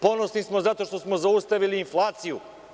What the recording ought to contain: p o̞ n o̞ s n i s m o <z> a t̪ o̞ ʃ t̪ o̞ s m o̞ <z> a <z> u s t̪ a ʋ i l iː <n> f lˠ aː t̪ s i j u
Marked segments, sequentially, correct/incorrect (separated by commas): correct, correct, incorrect, correct